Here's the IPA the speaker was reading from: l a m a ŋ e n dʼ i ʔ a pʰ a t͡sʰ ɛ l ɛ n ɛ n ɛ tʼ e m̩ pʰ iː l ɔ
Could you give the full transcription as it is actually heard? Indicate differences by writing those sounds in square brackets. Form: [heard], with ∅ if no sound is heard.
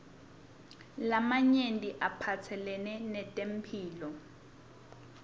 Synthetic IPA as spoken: l a m a [ɲ] e n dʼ i ʔ a pʰ a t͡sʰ ɛ l ɛ n ɛ n ɛ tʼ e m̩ pʰ iː l ɔ